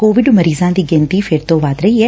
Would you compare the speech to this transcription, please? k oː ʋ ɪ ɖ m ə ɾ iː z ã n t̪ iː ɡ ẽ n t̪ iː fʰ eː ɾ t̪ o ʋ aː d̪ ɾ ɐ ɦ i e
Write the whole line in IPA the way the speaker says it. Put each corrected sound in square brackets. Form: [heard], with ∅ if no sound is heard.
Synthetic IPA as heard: k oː ʋ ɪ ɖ m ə ɾ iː z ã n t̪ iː ɡ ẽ n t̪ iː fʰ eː ɾ t̪ o ʋ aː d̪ ɾ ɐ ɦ i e